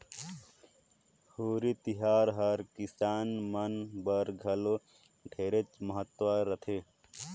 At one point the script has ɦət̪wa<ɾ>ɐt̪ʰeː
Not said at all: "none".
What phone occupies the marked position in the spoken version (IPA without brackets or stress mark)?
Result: ɾ